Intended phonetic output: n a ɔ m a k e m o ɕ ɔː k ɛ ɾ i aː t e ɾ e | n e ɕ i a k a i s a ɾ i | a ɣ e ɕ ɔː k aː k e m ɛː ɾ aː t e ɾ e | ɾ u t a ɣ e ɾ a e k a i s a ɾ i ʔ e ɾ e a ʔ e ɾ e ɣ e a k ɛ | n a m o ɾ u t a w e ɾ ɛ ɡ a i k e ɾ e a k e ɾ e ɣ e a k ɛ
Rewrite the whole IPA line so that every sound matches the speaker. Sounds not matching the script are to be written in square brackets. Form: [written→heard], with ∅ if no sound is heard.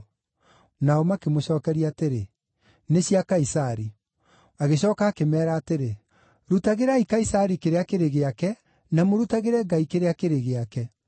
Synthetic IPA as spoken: n a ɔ m a k e m o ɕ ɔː k ɛ ɾ i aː t e ɾ e | n e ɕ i a k a i s a ɾ i | a ɣ e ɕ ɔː k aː k e m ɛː ɾ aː t e ɾ e | ɾ u t a ɣ e ɾ a [e→i] k a i s a ɾ i [ʔ→k] e ɾ e a [ʔ→k] e ɾ e ɣ e a k ɛ | n a m o ɾ u t a [w→ɣ] e ɾ ɛ ɡ a i k e ɾ e a k e ɾ e ɣ e a k ɛ